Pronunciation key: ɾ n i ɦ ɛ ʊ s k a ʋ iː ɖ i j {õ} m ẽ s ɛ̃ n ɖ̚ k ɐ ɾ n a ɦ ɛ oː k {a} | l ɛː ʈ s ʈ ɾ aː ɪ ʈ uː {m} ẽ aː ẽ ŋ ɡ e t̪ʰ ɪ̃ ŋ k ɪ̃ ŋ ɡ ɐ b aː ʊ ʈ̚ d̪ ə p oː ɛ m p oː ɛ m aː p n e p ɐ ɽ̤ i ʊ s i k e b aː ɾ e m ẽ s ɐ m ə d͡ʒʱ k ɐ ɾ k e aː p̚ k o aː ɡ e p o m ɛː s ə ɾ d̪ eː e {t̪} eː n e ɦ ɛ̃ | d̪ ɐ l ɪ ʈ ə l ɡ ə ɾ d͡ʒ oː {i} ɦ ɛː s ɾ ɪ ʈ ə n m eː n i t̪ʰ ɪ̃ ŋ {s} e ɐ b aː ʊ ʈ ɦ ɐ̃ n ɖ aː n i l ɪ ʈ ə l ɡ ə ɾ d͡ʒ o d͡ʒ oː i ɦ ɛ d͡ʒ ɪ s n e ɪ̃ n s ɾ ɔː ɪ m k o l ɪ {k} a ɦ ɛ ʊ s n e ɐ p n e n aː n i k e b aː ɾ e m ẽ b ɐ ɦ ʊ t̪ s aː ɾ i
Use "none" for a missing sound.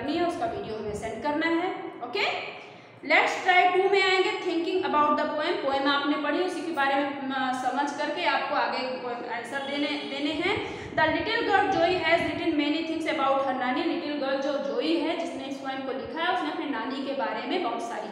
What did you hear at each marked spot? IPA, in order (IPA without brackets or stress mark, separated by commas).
o, e, m, d̪, i, s, kʰ